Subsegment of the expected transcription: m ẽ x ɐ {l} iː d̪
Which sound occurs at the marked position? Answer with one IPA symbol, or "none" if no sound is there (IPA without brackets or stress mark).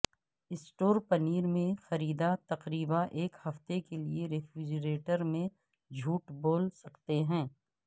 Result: ɾ